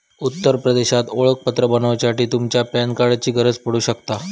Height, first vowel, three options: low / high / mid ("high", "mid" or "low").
high